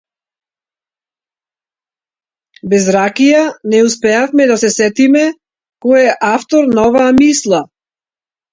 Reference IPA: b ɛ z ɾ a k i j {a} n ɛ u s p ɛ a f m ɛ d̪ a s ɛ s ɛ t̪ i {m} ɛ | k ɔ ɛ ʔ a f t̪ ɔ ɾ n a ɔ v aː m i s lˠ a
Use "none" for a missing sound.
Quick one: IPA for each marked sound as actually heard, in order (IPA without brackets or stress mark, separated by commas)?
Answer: a, m